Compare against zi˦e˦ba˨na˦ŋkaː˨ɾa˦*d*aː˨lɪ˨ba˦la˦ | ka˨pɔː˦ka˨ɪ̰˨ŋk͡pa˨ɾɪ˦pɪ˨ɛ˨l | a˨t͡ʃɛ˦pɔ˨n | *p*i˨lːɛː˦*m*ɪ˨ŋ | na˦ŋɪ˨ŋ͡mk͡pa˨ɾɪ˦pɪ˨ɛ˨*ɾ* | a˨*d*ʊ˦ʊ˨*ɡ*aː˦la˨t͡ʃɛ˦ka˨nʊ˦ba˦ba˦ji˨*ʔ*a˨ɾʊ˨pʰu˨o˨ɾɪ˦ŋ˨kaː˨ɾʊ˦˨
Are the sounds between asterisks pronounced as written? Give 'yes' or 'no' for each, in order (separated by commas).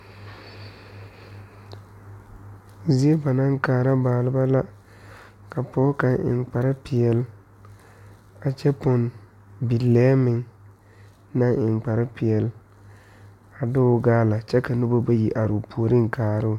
no, no, yes, no, yes, yes, yes